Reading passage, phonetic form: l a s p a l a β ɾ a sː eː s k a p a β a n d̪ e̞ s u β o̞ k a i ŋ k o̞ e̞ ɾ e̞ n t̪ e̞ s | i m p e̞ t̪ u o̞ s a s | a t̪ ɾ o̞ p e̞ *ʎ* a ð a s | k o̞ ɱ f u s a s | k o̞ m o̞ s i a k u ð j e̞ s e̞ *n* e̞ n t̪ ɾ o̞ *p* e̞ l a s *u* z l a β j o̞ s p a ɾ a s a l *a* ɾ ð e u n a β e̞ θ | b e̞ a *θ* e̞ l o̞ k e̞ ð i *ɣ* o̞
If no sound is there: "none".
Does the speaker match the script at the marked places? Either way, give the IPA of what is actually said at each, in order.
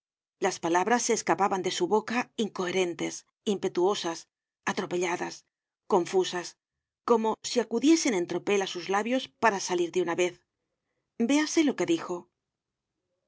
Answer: ʎ, n, p, u, i, s, x

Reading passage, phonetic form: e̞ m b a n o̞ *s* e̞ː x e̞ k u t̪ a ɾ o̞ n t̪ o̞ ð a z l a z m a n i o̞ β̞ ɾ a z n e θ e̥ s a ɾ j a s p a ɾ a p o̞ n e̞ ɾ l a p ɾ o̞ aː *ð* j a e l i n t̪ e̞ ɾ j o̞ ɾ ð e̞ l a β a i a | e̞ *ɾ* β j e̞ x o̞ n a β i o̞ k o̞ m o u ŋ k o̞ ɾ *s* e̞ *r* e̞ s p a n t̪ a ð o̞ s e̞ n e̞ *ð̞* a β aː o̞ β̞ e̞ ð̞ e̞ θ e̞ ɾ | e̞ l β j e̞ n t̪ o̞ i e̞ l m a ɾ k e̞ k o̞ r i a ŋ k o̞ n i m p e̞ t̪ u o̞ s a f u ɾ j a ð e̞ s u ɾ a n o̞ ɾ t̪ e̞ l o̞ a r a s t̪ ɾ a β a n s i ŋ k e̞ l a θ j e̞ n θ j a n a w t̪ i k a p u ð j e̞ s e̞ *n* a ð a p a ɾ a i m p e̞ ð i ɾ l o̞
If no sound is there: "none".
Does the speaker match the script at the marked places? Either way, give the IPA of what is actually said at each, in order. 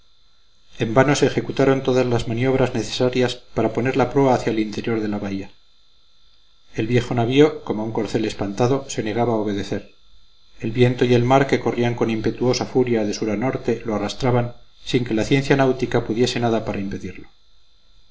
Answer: s, θ, l, θ, l, ɣ̞, n

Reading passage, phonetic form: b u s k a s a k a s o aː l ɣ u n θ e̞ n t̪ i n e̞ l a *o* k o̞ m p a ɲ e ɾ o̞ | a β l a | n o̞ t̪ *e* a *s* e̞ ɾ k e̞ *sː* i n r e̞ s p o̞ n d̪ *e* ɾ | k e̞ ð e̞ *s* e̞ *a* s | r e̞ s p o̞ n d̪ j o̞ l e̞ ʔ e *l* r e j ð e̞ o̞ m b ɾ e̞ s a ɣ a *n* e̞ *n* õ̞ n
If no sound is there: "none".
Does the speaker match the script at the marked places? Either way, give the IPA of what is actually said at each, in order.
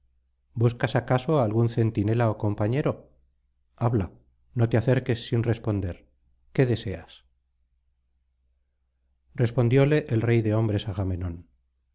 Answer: o, e, θ, sː, e, s, a, l, m, n

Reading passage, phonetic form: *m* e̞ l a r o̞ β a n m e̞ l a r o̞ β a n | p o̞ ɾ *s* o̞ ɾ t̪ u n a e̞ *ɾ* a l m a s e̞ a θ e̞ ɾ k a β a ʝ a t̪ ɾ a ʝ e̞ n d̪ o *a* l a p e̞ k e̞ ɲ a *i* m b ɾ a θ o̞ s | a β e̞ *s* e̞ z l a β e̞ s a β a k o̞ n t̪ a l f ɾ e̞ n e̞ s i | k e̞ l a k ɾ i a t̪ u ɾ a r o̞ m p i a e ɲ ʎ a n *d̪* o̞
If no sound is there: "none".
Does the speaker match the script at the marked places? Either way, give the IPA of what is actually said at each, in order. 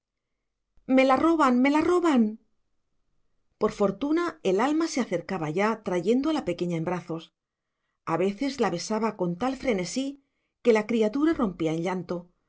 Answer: m, f, l, a, e, θ, t̪

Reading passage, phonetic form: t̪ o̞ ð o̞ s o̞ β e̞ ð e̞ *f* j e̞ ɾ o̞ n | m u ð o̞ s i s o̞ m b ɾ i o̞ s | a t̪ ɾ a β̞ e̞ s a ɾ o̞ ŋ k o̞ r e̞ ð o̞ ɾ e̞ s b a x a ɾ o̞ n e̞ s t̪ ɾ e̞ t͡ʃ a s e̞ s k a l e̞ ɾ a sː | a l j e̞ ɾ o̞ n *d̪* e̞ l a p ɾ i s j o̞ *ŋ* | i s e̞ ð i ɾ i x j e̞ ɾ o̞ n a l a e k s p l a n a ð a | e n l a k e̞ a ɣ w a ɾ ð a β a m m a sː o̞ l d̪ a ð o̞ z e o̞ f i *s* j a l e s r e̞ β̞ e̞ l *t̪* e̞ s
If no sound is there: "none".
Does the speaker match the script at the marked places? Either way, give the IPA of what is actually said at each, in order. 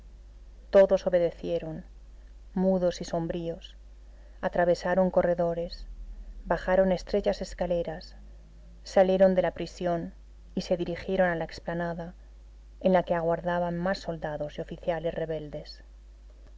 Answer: θ, d̪, n, θ, d̪

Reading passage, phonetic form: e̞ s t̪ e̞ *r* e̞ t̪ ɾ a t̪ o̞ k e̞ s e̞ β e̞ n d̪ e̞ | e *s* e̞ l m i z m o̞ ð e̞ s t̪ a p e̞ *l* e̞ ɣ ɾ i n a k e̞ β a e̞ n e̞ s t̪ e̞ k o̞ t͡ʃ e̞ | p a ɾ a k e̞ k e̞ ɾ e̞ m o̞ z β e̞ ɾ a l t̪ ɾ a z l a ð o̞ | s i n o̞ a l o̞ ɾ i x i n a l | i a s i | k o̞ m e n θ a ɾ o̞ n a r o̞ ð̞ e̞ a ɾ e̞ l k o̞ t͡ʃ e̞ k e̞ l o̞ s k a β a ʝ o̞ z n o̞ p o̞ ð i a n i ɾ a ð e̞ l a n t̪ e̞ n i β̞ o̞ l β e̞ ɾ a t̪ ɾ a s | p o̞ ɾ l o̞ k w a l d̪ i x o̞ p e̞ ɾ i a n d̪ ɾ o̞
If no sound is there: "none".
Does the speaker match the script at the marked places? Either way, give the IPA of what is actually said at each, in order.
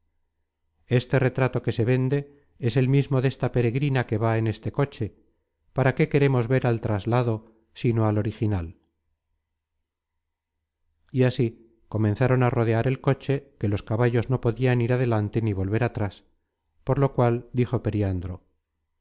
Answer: r, s, ɾ

